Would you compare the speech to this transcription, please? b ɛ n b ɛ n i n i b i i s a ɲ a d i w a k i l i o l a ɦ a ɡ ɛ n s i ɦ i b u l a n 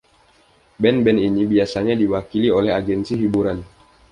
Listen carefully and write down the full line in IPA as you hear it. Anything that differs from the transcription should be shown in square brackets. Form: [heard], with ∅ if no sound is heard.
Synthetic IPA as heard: b ɛ n b ɛ n i n i b i [a] s a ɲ a d i w a k i l i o l [ɛ] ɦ a ɡ ɛ n s i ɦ i b u [ɾ] a n